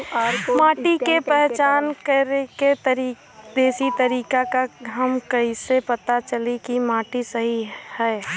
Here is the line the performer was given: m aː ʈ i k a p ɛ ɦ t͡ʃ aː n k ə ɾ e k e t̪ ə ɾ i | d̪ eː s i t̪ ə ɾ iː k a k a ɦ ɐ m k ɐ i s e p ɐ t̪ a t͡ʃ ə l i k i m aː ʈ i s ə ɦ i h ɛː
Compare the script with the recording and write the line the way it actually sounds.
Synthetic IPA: m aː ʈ i k e p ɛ ɦ t͡ʃ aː n k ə ɾ e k e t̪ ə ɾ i | d̪ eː s i t̪ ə ɾ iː k a k a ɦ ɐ m k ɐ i s e p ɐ t̪ a t͡ʃ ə l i k i m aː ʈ i s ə ɦ i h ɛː